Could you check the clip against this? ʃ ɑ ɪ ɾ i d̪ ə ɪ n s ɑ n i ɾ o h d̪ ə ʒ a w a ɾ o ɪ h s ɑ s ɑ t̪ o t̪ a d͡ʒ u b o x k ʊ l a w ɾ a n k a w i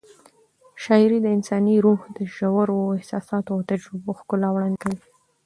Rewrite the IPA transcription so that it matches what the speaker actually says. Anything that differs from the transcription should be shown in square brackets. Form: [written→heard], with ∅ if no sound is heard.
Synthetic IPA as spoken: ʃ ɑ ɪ ɾ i d̪ ə ɪ n s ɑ n i ɾ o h d̪ ə ʒ a w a ɾ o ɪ h s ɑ s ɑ t̪ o t̪ a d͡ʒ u b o x k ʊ l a w [ɾ→ɽ] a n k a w i